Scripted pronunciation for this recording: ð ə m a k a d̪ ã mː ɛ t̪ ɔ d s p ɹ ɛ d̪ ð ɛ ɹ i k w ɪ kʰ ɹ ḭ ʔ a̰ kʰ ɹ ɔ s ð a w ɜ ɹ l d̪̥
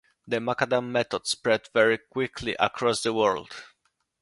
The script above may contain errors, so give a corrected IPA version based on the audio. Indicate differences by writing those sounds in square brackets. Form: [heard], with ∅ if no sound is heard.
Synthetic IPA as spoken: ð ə m a k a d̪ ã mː ɛ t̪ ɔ d s p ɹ ɛ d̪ [v] ɛ ɹ i k w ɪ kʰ [l] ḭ ʔ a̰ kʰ ɹ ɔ s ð [ə] w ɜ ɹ l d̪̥